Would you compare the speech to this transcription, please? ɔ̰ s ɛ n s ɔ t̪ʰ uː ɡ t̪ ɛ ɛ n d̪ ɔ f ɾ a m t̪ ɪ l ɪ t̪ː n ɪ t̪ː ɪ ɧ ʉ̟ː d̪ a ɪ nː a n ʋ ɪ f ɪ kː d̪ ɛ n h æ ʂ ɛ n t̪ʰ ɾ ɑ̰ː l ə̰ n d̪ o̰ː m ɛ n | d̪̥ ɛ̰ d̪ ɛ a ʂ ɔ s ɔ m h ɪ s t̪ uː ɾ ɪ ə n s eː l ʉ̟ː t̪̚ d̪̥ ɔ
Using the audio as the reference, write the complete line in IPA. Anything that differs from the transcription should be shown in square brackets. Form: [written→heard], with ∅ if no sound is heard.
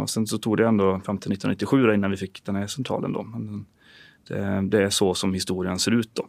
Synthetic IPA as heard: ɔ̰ s ɛ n s ɔ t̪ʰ uː ɡ [t̪→d̪] ɛ ɛ n d̪ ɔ f ɾ a m t̪ ɪ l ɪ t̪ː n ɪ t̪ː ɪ ɧ ʉ̟ː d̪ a ɪ nː a n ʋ ɪ f ɪ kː d̪ ɛ n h æ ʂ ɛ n t̪ʰ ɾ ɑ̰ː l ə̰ n d̪ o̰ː m ɛ n | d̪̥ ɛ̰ d̪ ɛ [a→æ] ʂ ɔ s ɔ m h ɪ s t̪ uː ɾ ɪ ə n s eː [l→ɾ] ʉ̟ː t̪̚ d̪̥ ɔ